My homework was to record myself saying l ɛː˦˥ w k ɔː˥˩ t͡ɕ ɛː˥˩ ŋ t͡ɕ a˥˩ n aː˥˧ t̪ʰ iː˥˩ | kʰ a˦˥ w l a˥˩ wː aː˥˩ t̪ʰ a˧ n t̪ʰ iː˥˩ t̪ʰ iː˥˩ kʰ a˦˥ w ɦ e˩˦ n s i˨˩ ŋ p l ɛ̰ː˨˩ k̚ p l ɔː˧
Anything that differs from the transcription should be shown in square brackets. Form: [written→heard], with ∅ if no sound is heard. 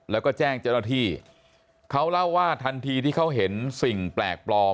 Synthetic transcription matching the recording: l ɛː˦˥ w k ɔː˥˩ t͡ɕ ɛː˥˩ ŋ t͡ɕ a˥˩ n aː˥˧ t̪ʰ iː˥˩ | kʰ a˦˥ w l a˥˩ wː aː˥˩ t̪ʰ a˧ n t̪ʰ [iː˥˩→iː˧] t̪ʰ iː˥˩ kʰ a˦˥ w ɦ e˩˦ n s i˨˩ ŋ p l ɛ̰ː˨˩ k̚ p l ɔː˧